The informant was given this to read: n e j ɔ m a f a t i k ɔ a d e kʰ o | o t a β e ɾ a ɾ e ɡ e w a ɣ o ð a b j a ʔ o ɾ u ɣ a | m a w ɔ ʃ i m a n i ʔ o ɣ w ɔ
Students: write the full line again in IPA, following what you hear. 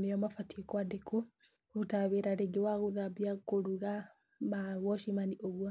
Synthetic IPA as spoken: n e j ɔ m a f a t i k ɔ a d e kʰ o | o t a β e ɾ a ɾ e ɡ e w a ɣ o ð a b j a k o ɾ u ɣ a | m a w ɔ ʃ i m a n i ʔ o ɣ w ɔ